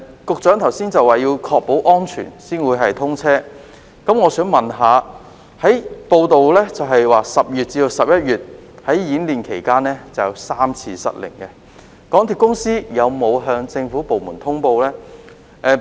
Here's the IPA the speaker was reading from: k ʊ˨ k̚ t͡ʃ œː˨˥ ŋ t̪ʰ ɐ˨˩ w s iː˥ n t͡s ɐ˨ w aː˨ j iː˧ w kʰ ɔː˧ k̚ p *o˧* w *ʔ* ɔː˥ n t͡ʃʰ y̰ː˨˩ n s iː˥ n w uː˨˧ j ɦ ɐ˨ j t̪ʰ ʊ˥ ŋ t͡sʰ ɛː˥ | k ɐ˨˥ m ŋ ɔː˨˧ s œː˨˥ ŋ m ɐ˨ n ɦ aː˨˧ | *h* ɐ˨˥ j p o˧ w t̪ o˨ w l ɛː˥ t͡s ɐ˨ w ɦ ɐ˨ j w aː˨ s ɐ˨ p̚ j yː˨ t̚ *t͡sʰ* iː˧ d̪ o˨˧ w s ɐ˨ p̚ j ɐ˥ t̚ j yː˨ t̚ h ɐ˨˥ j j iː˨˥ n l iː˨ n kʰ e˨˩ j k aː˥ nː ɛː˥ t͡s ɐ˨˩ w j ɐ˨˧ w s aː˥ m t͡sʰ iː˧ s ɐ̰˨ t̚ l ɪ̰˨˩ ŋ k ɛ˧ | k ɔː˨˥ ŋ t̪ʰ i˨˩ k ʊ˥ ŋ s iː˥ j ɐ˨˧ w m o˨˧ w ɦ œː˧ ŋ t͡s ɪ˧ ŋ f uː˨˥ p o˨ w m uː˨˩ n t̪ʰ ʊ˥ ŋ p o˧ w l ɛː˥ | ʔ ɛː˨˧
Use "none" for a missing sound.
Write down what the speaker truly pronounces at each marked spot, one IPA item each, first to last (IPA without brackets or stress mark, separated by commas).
o˨˥, ʔ, h, t͡s